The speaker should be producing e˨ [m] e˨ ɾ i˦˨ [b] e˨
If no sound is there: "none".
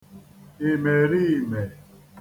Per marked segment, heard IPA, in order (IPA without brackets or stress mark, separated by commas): m, m